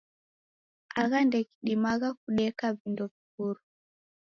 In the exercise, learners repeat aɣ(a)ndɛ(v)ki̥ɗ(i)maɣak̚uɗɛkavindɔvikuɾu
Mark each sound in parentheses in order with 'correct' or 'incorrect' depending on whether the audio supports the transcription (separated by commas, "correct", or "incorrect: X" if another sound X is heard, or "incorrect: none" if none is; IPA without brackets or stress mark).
correct, incorrect: none, correct